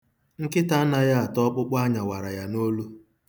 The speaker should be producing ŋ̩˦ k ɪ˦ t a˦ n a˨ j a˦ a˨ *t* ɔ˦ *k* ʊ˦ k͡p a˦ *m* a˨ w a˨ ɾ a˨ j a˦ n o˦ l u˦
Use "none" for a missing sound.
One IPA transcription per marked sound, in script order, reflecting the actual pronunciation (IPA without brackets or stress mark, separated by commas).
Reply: t, k͡p, ɲ